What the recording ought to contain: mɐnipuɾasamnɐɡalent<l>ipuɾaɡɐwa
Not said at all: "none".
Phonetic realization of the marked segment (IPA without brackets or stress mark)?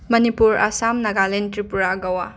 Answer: ɾ